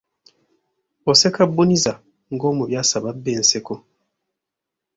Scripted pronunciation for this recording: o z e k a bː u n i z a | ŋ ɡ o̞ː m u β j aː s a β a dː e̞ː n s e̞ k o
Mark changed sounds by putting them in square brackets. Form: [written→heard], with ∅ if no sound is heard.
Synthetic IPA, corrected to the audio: o [z→s] e k a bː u n i z a | ŋ ɡ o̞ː m u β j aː s a β a [dː→bː] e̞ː n s e̞ k o